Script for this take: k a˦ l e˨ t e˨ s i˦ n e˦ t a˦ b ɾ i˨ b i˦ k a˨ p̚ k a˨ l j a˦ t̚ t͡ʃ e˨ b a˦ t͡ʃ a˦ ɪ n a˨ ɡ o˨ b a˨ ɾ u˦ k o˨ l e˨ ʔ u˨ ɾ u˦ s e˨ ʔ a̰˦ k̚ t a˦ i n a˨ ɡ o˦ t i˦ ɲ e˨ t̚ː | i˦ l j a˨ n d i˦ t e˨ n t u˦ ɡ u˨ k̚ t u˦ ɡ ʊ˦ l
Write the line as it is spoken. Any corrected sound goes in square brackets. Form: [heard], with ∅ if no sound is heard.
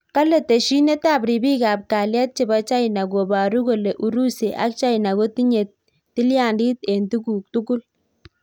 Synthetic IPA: k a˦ l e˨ t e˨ [ʃ] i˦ n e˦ t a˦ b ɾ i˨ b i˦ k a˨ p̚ k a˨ l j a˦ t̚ t͡ʃ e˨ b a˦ t͡ʃ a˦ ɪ n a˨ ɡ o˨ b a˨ ɾ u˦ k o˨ l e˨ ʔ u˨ ɾ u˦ s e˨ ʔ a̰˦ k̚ [t͡ʃ] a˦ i n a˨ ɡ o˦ t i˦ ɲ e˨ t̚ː | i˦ l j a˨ n d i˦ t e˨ n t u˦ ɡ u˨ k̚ t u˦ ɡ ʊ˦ l

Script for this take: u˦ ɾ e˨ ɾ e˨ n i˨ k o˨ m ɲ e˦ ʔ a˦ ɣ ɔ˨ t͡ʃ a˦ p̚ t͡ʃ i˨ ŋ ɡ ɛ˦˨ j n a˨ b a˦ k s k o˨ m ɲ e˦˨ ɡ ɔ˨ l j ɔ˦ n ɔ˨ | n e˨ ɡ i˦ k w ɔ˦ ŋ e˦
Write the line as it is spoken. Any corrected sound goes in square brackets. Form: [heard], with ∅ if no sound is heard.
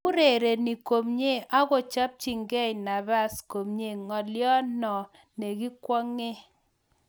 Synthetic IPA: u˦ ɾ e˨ ɾ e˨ n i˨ k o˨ m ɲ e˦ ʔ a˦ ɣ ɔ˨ t͡ʃ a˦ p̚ t͡ʃ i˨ ŋ ɡ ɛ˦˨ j n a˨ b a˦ [∅] s k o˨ m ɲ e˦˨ [ŋ] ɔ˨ l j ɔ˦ n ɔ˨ | n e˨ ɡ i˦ k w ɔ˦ ŋ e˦

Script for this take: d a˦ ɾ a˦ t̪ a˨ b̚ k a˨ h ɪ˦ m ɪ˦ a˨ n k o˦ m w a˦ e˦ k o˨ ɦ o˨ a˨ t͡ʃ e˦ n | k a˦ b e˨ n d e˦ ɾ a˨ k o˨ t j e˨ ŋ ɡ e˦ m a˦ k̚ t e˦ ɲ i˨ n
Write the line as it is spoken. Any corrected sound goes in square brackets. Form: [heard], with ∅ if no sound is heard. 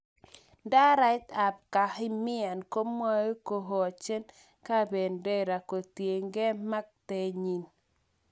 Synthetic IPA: d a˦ ɾ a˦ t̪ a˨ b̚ k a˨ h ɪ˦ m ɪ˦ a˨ n k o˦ m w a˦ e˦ k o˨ ɦ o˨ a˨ t͡ʃ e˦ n | k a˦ b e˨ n d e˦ ɾ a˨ k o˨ t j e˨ ŋ ɡ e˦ m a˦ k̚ t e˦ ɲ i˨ n

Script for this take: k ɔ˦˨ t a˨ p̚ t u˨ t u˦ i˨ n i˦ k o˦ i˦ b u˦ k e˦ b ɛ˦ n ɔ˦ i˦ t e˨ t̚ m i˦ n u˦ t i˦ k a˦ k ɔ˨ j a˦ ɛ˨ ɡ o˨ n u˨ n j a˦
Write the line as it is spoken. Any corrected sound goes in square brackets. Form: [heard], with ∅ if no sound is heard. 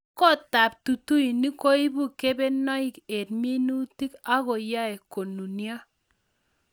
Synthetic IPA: k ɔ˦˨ t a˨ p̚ t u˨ t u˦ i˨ n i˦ k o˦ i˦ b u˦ k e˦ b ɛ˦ n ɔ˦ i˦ [k] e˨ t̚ m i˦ n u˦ t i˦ k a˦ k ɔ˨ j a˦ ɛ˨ [k] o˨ n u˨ n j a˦

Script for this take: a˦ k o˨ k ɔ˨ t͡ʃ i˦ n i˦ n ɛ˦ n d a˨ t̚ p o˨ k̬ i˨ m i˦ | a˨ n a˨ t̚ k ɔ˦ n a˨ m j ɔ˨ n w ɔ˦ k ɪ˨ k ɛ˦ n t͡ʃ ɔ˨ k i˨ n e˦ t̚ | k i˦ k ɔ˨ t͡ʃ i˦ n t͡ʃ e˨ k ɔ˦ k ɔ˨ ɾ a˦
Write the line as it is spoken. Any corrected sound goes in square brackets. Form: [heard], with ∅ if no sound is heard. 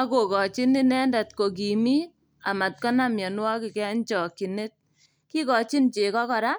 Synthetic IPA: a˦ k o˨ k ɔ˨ t͡ʃ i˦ n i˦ n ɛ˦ n d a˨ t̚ [k] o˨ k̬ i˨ m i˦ | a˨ [m] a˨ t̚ k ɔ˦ n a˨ m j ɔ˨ n w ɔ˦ k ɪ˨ k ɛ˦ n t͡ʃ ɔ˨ k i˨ n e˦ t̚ | k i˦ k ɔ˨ t͡ʃ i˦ n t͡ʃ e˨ k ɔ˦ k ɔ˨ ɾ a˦

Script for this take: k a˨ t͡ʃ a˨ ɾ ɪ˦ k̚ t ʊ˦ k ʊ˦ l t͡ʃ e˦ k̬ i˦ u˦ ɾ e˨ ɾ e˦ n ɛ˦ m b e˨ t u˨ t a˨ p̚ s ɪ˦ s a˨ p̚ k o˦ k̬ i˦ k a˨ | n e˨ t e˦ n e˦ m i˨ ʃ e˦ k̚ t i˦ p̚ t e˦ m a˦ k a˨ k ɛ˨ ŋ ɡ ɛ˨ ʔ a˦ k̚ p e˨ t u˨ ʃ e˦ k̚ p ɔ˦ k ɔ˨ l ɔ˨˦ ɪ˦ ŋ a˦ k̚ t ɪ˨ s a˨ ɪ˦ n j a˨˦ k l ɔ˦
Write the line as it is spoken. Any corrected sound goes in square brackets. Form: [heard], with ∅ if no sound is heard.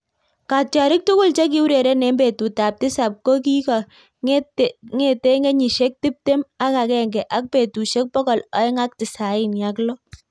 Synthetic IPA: k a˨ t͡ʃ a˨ ɾ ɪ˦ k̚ t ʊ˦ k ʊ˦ l t͡ʃ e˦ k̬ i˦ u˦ ɾ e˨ ɾ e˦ n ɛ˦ m b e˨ t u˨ t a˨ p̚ [t] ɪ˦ s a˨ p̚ k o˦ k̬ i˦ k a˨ | [ŋ] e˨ t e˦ [ŋ] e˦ [ɲ] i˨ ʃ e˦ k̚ t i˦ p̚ t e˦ m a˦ k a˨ k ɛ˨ ŋ ɡ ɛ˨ ʔ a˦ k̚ p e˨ t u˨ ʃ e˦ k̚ p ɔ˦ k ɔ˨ l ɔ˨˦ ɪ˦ ŋ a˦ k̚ t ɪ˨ s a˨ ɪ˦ n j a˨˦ k l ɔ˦

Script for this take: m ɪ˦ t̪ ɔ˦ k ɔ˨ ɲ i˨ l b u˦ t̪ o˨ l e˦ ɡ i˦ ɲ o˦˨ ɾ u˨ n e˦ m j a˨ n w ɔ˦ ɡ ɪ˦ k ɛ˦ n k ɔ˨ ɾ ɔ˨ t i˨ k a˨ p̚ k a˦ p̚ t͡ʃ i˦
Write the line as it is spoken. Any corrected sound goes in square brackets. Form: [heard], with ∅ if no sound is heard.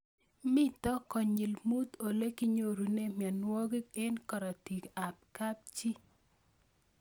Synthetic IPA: m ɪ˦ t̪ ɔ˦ k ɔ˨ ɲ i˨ l [m] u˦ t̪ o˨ l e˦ [k] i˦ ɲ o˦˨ ɾ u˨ n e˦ m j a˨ n w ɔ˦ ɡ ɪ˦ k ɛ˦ n k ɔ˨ ɾ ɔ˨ t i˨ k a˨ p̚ k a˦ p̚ t͡ʃ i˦

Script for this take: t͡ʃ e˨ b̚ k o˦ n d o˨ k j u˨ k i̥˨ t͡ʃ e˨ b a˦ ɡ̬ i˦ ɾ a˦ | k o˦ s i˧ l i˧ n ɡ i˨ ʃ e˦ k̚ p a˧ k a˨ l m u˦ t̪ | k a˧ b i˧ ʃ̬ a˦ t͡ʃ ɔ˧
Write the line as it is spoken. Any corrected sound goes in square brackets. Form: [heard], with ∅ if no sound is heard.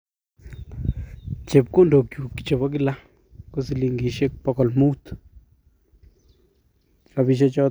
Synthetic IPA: t͡ʃ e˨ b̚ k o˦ n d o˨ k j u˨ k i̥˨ t͡ʃ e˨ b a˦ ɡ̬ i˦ [l] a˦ | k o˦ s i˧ l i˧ [ŋ] ɡ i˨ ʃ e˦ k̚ p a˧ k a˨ l m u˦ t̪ | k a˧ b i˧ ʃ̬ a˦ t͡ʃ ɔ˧

